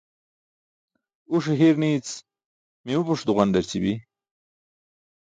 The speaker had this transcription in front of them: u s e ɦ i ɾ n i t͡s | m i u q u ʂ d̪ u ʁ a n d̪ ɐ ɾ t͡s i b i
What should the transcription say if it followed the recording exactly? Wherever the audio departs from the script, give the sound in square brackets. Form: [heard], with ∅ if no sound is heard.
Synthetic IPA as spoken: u [ʂ] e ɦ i ɾ n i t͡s | m i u [p] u ʂ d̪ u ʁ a n d̪ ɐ ɾ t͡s i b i